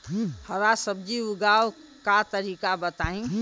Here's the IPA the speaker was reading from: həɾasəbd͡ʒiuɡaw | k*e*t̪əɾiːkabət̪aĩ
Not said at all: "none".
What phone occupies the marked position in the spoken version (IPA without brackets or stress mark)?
a